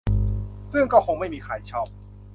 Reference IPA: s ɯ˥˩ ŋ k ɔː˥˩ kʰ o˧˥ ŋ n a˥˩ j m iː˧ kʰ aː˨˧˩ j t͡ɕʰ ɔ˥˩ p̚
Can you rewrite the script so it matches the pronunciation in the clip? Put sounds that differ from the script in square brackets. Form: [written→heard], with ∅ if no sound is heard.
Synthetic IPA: s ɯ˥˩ ŋ k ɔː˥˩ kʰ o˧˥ ŋ [n→m] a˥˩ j m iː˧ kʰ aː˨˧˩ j t͡ɕʰ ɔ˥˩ p̚